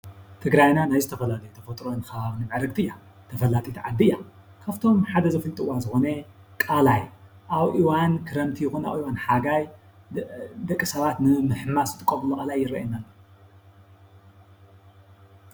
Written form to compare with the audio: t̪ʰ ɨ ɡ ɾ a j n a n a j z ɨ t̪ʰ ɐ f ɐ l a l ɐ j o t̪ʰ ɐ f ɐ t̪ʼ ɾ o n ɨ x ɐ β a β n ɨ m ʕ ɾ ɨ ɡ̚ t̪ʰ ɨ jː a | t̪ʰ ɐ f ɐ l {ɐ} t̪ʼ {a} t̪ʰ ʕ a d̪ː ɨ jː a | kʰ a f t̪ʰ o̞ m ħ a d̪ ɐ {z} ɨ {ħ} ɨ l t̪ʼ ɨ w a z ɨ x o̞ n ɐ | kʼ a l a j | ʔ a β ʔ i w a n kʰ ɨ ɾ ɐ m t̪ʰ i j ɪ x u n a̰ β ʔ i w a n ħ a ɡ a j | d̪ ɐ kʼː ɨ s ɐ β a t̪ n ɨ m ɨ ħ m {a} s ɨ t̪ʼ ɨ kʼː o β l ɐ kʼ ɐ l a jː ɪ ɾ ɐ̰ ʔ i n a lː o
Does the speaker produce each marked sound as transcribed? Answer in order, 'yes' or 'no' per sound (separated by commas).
no, no, yes, no, yes